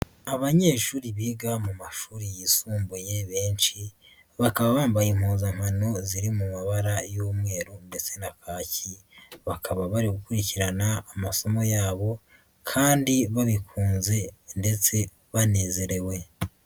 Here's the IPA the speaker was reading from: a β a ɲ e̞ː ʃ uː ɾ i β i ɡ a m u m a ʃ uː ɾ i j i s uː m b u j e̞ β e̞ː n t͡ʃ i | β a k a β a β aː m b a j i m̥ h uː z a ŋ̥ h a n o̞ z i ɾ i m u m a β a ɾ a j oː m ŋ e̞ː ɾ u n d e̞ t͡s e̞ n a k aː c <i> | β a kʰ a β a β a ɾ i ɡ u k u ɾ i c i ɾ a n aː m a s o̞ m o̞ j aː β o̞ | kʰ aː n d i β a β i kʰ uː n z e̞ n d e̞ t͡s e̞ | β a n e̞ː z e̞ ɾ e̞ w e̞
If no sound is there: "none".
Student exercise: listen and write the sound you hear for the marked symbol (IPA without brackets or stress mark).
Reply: i